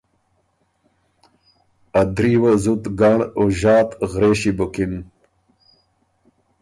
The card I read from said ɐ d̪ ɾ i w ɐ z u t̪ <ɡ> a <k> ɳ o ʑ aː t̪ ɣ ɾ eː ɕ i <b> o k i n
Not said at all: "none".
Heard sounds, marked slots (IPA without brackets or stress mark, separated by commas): ɡ, none, b